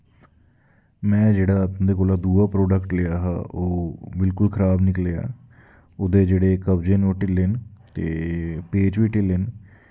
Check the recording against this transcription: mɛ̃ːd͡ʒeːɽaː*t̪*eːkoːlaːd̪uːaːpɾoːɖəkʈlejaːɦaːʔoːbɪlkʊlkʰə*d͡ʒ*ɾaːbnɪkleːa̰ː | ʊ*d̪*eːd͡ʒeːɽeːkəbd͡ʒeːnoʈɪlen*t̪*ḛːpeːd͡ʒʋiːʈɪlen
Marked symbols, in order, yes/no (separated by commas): no, no, yes, yes